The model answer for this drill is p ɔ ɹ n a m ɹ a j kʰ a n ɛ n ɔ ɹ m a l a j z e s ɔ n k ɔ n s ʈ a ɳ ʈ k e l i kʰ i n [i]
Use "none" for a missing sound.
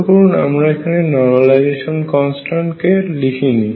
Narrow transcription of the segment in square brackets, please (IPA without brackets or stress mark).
i